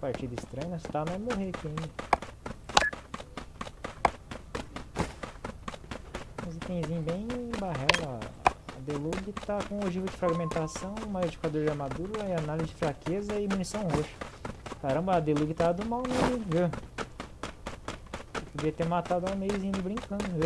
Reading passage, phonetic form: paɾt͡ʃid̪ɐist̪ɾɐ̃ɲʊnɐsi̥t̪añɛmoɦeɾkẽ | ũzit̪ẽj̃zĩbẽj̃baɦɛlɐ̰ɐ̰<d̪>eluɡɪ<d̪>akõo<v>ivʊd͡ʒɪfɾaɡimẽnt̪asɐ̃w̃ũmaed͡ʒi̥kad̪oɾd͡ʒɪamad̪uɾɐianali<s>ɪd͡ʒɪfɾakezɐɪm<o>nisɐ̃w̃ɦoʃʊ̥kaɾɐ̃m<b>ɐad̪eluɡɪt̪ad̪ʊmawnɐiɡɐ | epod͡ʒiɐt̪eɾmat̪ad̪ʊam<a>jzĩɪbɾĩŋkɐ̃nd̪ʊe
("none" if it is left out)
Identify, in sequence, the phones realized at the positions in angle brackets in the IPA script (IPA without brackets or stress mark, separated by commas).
d̪, t̪, ʒ, z, u, b, e